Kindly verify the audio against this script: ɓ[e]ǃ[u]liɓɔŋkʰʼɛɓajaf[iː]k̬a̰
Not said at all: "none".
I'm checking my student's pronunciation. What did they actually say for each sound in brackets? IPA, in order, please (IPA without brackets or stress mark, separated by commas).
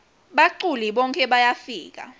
a, u, iː